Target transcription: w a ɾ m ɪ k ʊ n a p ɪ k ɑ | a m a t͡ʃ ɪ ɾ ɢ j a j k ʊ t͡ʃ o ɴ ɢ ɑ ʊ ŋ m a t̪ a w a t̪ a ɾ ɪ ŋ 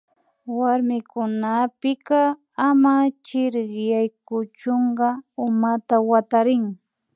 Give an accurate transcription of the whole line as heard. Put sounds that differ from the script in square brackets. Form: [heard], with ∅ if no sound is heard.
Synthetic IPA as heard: w a ɾ m ɪ k ʊ n a p ɪ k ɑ | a m a t͡ʃ ɪ ɾ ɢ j a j k ʊ t͡ʃ o ɴ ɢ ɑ ʊ [∅] m a t̪ a w a t̪ a ɾ ɪ ŋ